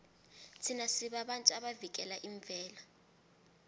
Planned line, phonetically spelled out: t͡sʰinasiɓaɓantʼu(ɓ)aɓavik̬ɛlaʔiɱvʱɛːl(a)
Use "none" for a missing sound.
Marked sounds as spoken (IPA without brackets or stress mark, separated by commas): none, a